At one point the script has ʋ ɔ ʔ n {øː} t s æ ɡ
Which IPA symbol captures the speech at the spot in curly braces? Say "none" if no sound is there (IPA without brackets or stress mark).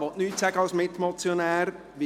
yː